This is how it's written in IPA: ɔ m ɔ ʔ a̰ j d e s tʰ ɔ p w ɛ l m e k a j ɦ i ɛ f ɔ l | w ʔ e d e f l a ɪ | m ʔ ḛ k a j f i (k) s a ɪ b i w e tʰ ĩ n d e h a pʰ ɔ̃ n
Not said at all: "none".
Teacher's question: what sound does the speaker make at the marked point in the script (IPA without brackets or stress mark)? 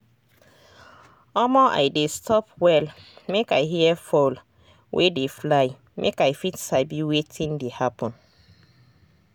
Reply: t